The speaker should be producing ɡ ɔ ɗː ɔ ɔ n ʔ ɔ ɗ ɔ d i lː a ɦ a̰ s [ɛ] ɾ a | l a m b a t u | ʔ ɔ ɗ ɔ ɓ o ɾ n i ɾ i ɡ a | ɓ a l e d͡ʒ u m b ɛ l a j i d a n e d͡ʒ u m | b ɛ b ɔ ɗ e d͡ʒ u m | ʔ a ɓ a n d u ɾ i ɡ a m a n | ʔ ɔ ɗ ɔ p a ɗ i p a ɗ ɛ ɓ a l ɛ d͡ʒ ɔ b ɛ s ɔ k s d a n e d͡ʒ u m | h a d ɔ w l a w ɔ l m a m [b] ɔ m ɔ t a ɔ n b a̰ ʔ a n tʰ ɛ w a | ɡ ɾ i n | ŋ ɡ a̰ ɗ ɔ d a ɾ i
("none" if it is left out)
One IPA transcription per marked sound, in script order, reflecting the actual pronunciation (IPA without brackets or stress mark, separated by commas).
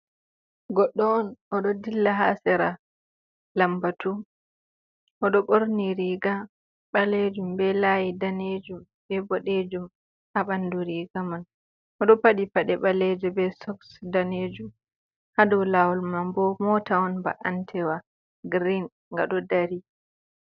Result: ɛ, b